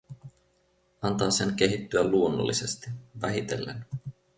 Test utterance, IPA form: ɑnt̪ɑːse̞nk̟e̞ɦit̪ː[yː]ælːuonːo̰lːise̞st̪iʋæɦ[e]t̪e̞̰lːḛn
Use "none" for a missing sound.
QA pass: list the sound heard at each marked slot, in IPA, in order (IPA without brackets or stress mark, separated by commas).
y, i